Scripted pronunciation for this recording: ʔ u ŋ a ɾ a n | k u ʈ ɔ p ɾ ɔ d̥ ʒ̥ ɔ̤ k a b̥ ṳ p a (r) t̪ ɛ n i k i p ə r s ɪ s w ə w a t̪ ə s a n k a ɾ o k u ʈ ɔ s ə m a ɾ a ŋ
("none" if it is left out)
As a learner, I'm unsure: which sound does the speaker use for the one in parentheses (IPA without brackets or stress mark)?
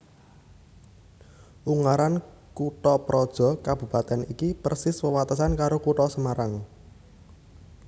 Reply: none